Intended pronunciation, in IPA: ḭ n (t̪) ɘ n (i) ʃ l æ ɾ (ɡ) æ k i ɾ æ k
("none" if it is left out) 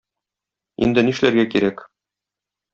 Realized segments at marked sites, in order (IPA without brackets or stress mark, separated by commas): d̪, i, ɡ